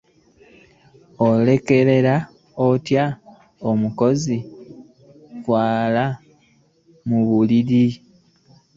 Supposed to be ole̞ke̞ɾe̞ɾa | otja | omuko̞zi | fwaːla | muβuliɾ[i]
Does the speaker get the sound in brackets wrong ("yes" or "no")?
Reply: no